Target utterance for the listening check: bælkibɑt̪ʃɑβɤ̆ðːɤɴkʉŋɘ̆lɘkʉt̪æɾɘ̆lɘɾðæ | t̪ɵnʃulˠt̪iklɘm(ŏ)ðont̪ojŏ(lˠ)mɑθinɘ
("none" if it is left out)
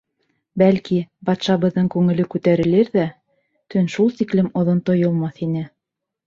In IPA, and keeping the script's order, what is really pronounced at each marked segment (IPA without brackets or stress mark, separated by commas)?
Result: ŏ, lˠ